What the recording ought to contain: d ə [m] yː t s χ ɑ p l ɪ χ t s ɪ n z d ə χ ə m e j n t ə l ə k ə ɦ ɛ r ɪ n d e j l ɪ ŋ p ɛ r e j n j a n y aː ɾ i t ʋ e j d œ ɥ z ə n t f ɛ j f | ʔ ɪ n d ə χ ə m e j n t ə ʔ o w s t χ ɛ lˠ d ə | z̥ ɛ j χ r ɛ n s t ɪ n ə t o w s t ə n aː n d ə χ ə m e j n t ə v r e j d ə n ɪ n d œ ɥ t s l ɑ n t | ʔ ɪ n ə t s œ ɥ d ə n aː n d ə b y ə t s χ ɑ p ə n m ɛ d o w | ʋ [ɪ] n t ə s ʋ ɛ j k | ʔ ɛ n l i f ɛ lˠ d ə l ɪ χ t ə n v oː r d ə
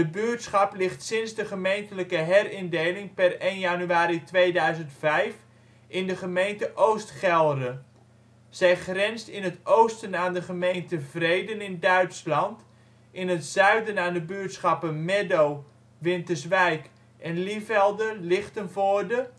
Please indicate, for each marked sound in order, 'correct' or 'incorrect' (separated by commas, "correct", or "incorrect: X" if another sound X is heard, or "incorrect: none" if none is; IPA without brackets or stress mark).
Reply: incorrect: b, correct